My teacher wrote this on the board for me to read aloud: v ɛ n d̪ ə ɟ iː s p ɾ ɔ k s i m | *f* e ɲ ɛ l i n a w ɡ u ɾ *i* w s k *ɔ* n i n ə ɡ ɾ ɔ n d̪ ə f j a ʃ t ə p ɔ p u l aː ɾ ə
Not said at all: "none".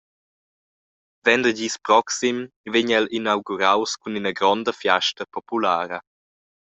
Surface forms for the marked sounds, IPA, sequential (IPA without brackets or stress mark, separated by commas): v, a, u